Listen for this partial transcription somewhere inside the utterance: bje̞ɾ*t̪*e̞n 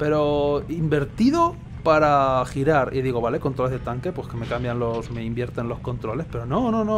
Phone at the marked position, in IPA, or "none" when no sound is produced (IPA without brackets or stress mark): t̪